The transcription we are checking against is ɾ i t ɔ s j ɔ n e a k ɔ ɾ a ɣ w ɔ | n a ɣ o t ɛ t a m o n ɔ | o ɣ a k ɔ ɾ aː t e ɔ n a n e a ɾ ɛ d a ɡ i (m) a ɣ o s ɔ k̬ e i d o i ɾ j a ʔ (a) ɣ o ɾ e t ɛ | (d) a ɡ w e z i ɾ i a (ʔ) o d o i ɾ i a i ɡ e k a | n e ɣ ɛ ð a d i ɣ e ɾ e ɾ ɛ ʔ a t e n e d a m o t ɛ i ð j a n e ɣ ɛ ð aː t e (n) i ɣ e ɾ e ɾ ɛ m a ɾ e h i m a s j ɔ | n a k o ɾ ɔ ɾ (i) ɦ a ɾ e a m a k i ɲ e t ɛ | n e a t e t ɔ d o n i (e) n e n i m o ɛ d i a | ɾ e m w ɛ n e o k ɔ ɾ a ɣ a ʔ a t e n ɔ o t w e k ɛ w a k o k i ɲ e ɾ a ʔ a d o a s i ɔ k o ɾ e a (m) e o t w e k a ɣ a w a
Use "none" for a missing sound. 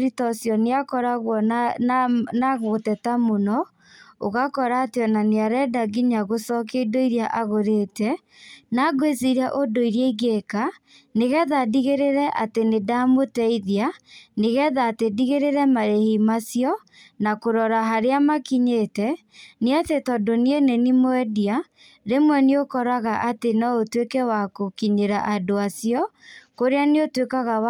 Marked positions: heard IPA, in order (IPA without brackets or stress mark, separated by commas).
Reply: ɲ, a, n, ʔ, d, a, e, n